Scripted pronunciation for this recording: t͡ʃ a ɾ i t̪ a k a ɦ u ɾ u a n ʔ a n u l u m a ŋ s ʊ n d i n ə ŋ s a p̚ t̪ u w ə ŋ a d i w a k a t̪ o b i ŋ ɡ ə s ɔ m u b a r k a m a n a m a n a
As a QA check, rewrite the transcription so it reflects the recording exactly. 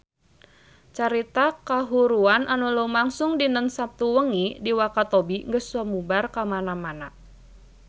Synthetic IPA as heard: t͡ʃ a ɾ i t̪ a k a ɦ u ɾ u a n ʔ a n u l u m a ŋ s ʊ ŋ d i n ə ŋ s a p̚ t̪ u w ə ŋ i d i w a k a t̪ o b i ŋ ɡ ə s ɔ m u b a r k a m a n a m a n a